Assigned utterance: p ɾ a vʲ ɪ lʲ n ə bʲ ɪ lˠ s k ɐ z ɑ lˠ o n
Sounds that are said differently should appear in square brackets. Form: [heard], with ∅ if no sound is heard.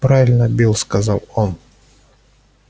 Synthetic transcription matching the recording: p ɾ a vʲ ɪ lʲ n ə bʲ [i] lˠ s k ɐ z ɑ lˠ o n